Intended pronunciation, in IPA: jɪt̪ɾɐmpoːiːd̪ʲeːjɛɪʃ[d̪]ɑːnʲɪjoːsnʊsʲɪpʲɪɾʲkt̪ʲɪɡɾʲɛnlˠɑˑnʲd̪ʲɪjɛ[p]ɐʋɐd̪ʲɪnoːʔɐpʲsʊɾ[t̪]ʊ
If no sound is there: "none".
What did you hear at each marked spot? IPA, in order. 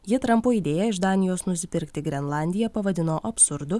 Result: d̪, p, d̪

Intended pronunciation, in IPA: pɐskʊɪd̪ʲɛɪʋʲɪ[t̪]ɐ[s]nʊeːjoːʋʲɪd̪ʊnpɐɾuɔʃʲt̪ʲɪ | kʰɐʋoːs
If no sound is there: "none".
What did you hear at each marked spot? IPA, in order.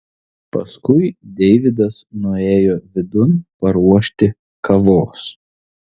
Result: d̪, s

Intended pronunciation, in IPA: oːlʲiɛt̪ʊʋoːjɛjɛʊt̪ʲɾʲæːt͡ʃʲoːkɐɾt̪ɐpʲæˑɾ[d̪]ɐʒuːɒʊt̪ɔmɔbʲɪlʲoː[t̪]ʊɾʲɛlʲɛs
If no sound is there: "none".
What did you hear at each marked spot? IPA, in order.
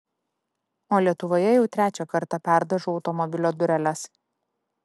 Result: d̪, d̪

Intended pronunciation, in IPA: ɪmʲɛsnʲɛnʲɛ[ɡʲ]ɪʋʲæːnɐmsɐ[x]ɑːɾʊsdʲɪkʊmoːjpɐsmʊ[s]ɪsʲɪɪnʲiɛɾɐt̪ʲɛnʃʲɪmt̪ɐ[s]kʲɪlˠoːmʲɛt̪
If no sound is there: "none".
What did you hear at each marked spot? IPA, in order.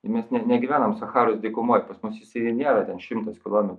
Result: ɡʲ, x, s, s

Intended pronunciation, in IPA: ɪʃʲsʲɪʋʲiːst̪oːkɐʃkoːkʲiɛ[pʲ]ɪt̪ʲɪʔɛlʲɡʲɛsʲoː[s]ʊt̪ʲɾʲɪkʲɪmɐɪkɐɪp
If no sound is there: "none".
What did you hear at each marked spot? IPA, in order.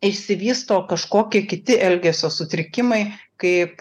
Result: kʲ, s

